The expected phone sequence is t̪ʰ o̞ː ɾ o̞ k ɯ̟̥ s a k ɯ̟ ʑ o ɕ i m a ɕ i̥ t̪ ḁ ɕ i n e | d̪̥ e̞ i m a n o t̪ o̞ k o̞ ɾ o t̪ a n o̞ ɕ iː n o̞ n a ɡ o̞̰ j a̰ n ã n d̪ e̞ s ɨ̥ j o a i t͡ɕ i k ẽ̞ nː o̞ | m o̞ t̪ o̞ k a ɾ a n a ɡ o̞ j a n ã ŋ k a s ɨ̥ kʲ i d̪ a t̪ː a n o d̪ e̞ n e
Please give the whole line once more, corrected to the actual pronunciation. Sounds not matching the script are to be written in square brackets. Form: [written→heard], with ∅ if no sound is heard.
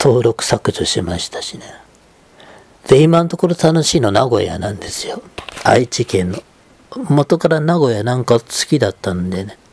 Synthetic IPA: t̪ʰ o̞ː ɾ o̞ k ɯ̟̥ s a k ɯ̟ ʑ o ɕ i m a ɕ i̥ t̪ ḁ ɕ i n e | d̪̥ e̞ i m a n o t̪ o̞ k o̞ ɾ o t̪ a n o̞ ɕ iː n o̞ n a ɡ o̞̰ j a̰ n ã n d̪ e̞ s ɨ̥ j o a i t͡ɕ i k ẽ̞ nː o̞ | m o̞ t̪ o̞ k a ɾ a n a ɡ o̞ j a n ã ŋ k a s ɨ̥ kʲ i d̪ a t̪ː a n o d̪ e̞ n e